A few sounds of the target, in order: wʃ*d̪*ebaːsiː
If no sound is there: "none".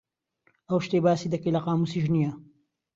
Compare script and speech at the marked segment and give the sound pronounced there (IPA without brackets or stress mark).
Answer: t̪